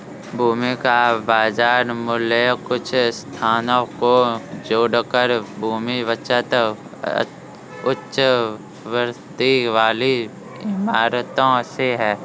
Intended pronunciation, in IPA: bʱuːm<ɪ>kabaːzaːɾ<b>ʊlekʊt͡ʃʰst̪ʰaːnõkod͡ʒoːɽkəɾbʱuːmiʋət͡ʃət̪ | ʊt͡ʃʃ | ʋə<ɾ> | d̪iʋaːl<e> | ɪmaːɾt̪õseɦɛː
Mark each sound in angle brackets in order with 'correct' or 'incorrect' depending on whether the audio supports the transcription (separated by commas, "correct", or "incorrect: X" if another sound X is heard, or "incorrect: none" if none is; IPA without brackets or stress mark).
incorrect: i, incorrect: m, correct, incorrect: i